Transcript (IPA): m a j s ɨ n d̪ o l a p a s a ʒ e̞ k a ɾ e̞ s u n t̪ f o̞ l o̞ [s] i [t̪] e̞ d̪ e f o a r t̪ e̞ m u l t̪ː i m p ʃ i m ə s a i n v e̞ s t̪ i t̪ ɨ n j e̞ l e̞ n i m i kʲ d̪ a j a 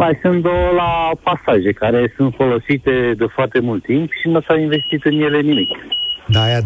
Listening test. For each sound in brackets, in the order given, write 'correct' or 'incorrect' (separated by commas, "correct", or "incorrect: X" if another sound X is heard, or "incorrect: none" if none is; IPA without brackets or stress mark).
correct, correct